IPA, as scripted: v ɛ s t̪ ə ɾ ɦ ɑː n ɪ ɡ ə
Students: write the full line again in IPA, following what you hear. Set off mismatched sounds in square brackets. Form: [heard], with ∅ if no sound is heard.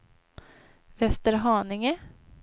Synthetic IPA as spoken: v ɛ s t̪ ə ɾ ɦ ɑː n ɪ [ŋ] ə